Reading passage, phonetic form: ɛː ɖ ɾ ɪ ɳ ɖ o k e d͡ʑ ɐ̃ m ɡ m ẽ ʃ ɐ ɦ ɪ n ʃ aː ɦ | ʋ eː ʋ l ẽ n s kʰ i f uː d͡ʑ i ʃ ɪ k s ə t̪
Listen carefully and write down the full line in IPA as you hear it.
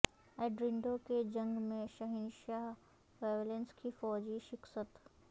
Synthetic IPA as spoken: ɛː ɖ ɾ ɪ ɳ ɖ o k e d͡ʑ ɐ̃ ŋ ɡ m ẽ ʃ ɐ ɦ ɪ n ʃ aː ɦ | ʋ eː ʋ l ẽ n s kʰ i f ɔː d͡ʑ i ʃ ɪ k s ə t̪